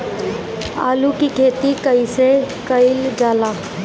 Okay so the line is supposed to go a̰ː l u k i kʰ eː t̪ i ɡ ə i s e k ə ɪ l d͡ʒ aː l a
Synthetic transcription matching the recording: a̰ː l u k i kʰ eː t̪ i k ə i s e k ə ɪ l d͡ʒ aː l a